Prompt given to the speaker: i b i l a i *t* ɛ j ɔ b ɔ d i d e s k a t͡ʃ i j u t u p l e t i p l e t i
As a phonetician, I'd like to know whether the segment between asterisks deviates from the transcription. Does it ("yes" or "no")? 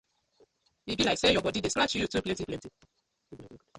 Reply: yes